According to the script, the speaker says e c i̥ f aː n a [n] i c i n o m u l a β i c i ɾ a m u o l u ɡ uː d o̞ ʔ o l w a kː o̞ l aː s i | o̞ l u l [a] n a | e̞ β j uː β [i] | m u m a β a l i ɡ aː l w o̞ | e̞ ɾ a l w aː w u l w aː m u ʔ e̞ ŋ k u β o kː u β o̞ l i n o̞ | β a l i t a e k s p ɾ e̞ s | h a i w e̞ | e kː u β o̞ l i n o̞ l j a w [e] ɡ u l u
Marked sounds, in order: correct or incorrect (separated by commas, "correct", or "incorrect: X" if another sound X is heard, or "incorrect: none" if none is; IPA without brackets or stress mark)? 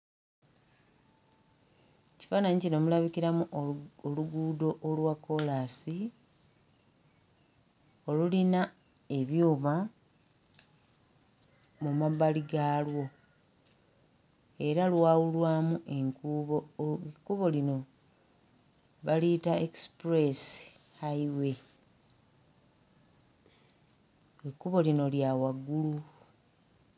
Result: incorrect: ɲ, incorrect: i, incorrect: a, incorrect: a